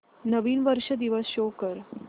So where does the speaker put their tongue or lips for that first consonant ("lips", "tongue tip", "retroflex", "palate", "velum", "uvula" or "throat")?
tongue tip